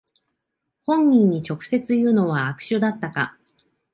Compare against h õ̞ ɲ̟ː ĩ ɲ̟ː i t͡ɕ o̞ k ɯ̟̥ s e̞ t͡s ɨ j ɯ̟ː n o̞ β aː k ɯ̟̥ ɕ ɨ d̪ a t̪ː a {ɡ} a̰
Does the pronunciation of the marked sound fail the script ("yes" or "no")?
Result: yes